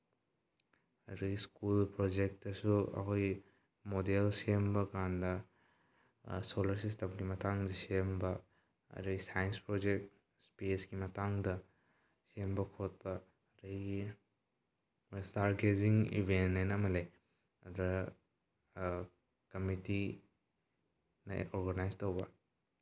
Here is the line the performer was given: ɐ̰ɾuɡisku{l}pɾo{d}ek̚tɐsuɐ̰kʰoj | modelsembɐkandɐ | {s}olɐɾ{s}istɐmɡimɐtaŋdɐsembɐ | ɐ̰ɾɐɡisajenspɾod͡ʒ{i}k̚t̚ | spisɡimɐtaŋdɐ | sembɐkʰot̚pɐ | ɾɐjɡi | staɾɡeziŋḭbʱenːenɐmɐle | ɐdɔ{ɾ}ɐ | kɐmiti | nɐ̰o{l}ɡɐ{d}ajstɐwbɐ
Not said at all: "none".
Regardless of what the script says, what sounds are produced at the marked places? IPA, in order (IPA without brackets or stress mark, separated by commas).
l, d͡ʒ, s, s, e, ɾ, ɾ, n